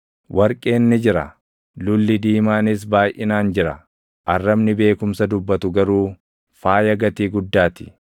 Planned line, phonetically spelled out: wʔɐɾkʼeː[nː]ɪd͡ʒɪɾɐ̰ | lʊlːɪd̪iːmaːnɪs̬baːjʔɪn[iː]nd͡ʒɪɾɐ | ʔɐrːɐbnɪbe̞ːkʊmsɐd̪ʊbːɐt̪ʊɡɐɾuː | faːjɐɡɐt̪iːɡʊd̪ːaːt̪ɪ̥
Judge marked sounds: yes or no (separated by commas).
yes, no